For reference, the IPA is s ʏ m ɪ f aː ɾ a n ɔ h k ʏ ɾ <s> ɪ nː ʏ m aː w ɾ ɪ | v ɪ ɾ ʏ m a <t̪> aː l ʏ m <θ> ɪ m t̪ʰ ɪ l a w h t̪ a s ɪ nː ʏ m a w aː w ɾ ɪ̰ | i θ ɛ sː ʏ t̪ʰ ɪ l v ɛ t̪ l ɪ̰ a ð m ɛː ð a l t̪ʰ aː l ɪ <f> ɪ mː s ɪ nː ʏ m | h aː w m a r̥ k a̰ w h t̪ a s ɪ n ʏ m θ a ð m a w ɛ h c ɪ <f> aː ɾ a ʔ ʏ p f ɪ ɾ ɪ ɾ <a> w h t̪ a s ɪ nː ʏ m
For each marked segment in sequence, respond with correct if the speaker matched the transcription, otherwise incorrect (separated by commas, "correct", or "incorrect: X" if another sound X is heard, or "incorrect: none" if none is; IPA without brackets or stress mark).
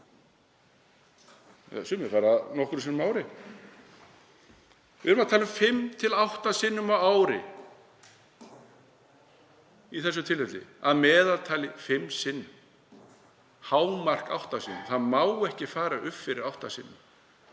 correct, incorrect: t̪ʰ, incorrect: f, correct, correct, correct